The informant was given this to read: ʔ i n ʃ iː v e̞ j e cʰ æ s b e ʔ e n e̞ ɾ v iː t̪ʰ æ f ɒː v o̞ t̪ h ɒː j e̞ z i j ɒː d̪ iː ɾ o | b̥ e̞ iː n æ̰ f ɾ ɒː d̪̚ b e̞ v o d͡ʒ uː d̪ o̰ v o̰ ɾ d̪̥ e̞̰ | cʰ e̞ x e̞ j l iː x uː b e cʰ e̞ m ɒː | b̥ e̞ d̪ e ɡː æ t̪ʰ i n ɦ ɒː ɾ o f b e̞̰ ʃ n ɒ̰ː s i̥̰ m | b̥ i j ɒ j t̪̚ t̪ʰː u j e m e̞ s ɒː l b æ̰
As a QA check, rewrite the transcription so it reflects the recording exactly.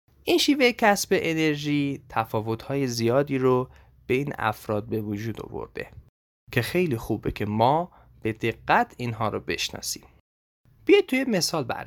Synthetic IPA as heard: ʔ i n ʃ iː v e̞ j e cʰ æ s b e ʔ e n e̞ ɾ ʒ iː t̪ʰ æ f ɒː v o̞ t̪ h ɒː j e̞ z i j ɒː d̪ iː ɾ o | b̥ e̞ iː n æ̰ f ɾ ɒː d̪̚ b e̞ v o d͡ʒ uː d̪ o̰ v o̰ ɾ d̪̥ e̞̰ | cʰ e̞ x e̞ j l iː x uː b e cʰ e̞ m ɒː | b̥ e̞ d̪ e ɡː æ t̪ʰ i n ɦ ɒː ɾ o b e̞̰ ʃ n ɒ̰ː s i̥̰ m | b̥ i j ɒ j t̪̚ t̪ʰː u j e m e̞ s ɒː l b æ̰